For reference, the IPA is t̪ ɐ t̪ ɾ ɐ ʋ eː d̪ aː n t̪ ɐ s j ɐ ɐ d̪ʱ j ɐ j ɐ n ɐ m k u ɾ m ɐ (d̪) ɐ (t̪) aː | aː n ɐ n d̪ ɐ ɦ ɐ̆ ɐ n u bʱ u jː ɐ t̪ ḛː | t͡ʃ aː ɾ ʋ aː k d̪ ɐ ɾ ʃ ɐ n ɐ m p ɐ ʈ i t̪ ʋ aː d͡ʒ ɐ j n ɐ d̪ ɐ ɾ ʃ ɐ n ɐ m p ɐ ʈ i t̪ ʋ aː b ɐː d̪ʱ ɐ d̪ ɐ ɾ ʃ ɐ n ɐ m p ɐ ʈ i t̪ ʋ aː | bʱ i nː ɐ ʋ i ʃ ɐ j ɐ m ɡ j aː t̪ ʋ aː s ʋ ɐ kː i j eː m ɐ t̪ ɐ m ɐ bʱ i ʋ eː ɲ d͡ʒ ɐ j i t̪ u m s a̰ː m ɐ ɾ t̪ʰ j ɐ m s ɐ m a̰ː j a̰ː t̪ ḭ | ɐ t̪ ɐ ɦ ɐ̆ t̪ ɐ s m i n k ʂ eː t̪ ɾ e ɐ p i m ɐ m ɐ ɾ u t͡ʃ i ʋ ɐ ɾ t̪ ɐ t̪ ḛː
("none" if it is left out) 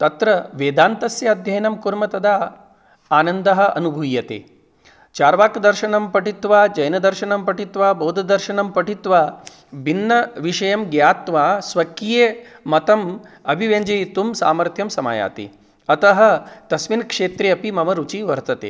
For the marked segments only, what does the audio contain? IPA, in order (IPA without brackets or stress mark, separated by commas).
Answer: t̪, d̪